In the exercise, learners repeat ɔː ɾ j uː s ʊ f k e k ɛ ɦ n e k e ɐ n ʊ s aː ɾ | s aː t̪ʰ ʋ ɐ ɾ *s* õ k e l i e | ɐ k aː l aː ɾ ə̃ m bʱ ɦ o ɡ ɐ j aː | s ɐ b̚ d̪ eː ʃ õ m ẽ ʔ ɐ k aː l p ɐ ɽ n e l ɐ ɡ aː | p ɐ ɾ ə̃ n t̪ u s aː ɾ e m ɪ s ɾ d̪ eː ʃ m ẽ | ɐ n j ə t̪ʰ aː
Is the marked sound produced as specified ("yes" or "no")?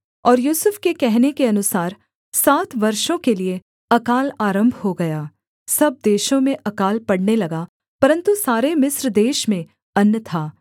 no